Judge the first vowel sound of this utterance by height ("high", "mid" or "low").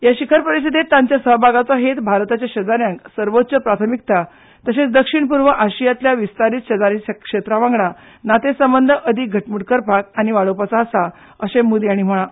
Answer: low